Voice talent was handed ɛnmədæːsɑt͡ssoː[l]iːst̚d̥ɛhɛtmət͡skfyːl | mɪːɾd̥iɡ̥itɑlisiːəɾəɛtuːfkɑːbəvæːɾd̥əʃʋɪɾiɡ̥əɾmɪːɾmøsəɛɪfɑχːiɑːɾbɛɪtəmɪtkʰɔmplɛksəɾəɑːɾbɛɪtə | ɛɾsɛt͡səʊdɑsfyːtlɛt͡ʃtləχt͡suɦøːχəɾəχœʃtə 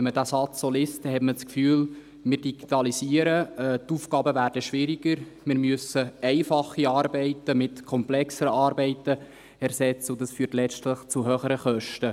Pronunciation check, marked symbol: correct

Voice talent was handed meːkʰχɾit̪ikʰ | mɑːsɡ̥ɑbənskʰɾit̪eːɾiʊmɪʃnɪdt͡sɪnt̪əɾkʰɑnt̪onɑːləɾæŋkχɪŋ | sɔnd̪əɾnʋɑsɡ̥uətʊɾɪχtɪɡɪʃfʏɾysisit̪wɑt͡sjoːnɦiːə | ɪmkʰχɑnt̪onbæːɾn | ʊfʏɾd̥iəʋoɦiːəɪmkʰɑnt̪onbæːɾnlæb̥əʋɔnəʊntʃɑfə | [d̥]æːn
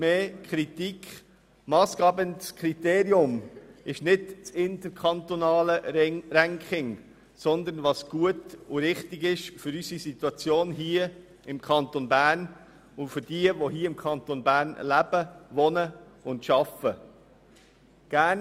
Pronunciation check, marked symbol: incorrect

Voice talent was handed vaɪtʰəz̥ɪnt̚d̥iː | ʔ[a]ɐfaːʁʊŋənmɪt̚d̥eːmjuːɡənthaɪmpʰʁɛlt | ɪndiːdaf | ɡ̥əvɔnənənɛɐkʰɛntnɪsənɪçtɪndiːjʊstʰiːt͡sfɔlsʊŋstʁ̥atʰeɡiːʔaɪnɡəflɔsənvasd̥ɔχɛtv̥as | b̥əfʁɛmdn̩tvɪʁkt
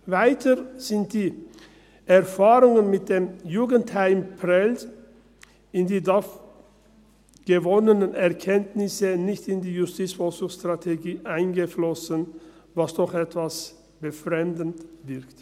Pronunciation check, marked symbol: incorrect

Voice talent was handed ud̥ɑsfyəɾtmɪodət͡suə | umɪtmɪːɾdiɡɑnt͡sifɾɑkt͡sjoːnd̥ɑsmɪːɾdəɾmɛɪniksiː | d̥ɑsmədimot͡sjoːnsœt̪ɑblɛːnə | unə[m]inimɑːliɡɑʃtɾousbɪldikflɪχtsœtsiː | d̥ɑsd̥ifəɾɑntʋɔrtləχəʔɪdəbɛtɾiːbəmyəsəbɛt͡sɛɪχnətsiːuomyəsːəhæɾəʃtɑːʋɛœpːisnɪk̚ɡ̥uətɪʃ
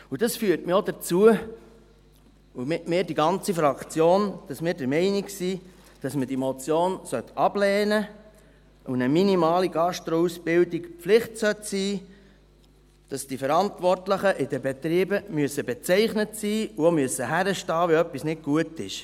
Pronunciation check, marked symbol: correct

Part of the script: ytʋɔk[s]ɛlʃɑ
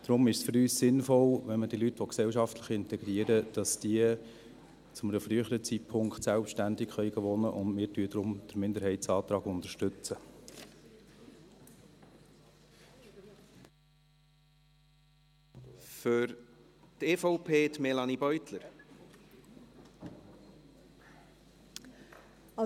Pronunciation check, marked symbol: correct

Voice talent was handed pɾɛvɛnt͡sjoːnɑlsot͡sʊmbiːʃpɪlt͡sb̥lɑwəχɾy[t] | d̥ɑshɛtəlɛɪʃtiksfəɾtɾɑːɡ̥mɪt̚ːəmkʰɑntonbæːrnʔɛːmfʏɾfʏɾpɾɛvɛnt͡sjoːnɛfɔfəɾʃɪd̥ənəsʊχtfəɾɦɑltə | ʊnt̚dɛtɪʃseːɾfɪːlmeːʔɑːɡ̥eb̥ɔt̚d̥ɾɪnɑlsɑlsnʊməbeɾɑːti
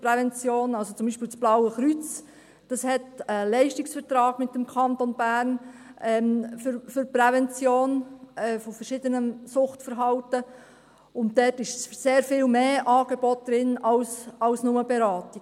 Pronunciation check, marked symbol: incorrect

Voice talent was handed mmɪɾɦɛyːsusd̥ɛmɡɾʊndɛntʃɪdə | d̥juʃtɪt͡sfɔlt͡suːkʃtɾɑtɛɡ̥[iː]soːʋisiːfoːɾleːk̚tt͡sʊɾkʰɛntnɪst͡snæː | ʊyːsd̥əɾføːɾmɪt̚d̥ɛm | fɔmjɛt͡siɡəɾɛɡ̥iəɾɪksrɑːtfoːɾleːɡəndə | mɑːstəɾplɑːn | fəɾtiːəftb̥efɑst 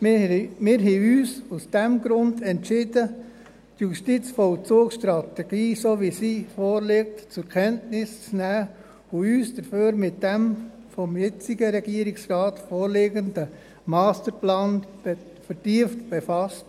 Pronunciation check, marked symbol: correct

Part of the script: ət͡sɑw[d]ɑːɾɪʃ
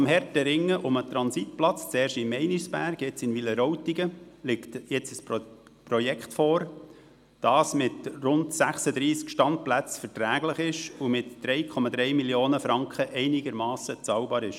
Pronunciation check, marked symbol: incorrect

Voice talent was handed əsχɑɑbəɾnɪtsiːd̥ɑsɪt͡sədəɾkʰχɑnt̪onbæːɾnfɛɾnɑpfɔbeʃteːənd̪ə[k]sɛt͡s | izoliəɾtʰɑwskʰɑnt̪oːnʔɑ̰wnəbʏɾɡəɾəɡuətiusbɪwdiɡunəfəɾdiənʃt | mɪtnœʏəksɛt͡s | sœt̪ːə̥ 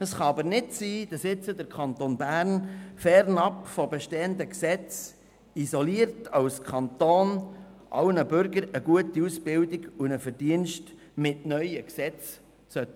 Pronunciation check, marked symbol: correct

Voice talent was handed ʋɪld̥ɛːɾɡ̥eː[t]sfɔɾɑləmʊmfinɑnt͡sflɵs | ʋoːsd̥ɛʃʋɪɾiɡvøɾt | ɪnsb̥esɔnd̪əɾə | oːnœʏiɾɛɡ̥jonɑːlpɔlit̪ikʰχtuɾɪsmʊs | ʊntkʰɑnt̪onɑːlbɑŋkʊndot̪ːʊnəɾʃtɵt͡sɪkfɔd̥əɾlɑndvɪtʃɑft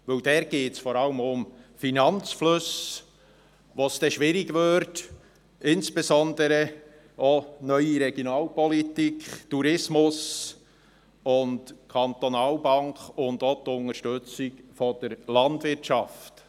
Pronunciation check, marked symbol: correct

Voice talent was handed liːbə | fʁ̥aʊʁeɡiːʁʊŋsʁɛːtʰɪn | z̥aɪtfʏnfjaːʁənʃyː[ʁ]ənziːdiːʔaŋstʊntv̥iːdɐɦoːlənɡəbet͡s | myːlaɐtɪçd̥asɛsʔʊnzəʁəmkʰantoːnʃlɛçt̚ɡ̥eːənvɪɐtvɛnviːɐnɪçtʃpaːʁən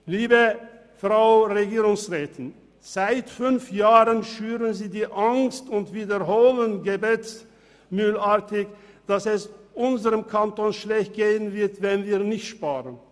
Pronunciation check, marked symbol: correct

